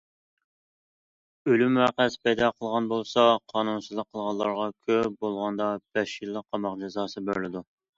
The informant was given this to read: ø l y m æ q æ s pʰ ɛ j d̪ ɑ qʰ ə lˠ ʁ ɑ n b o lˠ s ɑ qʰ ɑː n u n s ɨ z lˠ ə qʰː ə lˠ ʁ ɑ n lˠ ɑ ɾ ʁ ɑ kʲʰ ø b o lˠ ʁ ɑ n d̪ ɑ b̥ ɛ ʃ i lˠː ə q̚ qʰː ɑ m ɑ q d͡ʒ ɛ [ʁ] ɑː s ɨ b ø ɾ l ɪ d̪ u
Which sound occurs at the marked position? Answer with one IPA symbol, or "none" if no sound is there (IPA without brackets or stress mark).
z